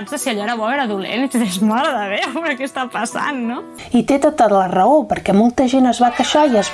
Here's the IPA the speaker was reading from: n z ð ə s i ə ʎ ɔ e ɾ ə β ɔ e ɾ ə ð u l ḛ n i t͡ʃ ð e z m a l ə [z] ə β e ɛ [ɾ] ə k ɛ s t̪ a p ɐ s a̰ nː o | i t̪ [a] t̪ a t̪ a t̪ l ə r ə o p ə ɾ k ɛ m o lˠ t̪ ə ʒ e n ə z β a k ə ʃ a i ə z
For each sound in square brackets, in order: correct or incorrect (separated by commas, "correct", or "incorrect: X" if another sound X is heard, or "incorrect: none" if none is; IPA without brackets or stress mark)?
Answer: incorrect: ð, correct, incorrect: e